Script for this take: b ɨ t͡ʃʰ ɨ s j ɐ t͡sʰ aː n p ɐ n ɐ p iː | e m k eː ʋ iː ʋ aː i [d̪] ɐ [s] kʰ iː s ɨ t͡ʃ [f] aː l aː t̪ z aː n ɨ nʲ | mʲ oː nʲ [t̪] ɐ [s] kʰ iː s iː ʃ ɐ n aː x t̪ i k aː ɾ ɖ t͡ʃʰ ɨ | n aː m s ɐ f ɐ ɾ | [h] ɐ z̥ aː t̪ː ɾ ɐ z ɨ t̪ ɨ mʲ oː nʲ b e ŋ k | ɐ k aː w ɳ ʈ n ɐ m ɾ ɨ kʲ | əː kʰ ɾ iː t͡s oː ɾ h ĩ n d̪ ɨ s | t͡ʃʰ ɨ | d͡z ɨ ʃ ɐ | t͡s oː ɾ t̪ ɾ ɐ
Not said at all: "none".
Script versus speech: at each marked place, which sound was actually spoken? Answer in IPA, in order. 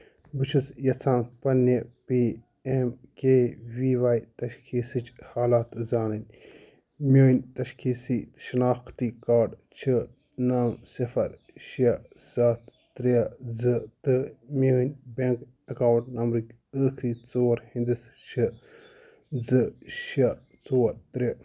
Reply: t̪, ʃ, h, t̪, ʃ, ʃ

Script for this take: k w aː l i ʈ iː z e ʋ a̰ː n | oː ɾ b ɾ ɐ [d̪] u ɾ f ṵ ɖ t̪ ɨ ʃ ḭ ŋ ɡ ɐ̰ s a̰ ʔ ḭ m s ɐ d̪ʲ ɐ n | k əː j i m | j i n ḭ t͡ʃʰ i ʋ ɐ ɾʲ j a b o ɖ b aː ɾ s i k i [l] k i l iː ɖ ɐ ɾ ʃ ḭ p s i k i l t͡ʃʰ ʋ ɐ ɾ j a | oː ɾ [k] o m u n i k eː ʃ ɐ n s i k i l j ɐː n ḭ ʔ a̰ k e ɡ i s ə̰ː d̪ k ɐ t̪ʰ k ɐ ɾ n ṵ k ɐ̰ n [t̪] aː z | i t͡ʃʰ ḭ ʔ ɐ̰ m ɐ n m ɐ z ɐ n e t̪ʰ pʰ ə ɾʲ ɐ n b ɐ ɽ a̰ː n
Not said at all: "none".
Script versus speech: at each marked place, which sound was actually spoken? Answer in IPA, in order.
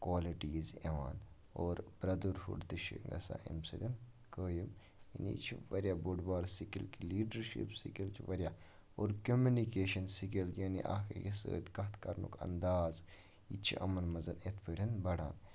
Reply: d̪, l, k, d̪

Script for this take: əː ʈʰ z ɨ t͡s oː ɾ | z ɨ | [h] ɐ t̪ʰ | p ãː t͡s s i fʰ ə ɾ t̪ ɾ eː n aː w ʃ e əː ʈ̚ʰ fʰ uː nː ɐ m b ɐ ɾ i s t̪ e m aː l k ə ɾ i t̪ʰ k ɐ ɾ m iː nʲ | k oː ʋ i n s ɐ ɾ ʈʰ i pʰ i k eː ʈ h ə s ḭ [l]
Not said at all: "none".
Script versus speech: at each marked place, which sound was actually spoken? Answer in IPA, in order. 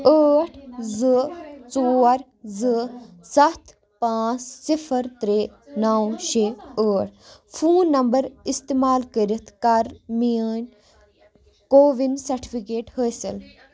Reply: s, l

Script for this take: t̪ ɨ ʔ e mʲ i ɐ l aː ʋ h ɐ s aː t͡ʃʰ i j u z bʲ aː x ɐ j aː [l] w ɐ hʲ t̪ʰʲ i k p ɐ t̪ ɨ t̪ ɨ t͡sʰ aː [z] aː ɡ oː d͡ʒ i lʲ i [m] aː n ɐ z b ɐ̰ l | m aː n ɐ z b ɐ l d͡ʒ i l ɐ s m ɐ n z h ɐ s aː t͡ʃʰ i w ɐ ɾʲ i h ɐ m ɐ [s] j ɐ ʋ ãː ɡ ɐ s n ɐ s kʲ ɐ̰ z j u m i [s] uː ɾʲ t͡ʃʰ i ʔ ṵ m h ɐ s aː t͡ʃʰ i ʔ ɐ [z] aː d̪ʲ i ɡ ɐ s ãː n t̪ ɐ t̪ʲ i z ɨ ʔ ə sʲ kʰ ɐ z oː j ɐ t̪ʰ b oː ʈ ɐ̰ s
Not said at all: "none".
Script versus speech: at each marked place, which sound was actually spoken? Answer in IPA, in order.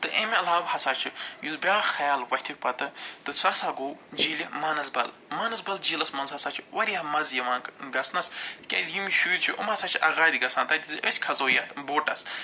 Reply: l, s, m, z, ʃ, ɣ

